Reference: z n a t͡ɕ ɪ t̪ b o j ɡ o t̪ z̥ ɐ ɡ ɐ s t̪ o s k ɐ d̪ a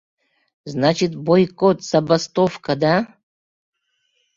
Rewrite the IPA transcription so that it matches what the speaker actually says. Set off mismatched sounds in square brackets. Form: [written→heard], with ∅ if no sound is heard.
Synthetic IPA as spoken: z n a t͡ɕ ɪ t̪ b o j [ɡ→k] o t̪ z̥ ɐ [ɡ→b] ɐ s t̪ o [s→f] k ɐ d̪ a